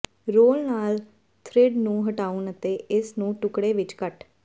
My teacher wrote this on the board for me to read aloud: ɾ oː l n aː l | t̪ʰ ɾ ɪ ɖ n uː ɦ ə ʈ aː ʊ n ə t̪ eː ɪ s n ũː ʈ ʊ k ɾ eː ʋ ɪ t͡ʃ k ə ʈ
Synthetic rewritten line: ɾ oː l n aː l | t̪ʰ ɾ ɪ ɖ n ũː ɦ ə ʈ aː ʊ n ə t̪ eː ɪ s n ũː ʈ ʊ k ɽ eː ʋ ɪ t͡ʃ k ə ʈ